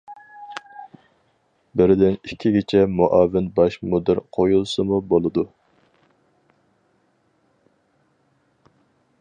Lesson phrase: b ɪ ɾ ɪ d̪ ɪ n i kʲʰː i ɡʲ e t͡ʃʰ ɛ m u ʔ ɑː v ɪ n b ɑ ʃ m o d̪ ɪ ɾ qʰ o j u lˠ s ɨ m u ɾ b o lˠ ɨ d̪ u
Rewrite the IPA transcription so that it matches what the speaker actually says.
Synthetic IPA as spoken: b ɪ ɾ ɪ d̪ ɪ n i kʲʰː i ɡʲ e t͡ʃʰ ɛ m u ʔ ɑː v ɪ n b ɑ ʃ m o d̪ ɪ ɾ qʰ o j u lˠ s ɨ m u b o lˠ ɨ d̪ u